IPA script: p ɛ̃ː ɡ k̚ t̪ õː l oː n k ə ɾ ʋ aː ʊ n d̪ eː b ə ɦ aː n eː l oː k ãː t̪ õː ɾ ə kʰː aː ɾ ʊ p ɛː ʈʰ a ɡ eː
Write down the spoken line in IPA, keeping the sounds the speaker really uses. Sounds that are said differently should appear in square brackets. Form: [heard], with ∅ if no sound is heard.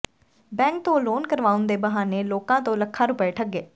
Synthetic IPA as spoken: [b] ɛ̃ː [ŋ] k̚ t̪ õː l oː n k ə ɾ ʋ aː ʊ n d̪ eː b ə ɦ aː n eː l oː k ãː t̪ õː [l] ə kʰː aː ɾ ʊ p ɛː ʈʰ [ə] ɡ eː